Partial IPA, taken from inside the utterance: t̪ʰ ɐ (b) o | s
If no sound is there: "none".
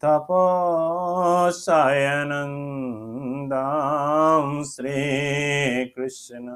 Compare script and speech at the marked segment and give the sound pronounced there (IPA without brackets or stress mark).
p